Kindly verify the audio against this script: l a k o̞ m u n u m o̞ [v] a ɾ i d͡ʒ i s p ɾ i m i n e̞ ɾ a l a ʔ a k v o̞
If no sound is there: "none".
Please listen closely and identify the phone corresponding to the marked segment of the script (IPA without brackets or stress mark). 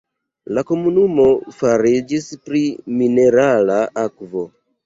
f